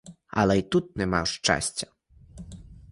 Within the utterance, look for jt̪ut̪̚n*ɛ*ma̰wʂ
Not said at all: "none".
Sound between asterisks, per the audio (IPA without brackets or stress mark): ɛ